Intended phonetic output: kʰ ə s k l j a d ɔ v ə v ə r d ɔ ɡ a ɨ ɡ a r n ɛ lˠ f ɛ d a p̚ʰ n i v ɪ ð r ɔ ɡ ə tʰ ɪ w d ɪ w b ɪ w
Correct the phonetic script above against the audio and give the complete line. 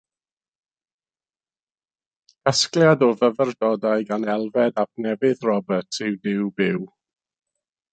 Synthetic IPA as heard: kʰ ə s k l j a d ɔ v ə v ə r d ɔ d a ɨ ɡ a n ɛ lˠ v ɛ d a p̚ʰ n ɛ v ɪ ð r ɔ b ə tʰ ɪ w d ɪ w b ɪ w